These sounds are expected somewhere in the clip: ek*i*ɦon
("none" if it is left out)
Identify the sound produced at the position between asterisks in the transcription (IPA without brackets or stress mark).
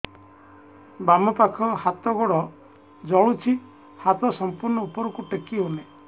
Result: i